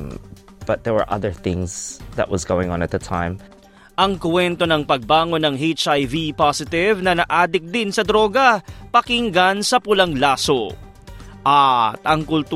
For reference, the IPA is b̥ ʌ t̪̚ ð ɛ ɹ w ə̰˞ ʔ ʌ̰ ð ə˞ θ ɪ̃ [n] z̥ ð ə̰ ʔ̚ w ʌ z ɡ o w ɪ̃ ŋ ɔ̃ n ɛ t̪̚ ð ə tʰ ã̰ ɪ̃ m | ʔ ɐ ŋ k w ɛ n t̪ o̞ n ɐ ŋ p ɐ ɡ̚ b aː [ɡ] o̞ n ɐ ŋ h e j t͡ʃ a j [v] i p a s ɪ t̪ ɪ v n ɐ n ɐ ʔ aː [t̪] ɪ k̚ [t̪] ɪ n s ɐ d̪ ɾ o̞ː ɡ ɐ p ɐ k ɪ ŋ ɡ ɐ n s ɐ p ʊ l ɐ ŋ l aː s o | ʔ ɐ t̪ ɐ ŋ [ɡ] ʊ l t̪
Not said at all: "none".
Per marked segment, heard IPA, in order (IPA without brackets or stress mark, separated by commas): ŋ, ŋ, v, d̪, d̪, k